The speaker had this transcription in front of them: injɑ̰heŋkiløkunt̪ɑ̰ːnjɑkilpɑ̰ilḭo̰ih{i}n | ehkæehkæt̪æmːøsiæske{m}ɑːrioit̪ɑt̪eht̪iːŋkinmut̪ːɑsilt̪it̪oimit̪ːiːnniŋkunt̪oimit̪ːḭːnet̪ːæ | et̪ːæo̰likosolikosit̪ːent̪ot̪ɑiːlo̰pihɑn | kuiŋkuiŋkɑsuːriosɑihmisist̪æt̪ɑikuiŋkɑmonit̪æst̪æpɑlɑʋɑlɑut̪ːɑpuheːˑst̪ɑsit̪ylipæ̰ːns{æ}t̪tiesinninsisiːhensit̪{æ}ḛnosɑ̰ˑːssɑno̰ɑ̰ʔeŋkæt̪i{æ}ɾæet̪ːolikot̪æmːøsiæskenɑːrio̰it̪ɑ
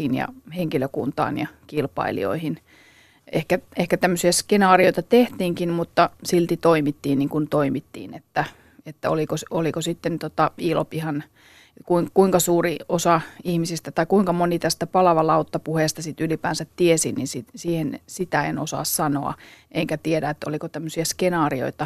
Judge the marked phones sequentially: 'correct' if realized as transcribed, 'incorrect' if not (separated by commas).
correct, incorrect, correct, correct, incorrect